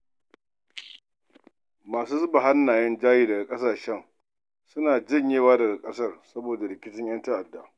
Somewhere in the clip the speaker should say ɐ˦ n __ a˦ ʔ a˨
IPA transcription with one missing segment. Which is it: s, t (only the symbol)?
t